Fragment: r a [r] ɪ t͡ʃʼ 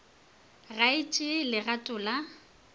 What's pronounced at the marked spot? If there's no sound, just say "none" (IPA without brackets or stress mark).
none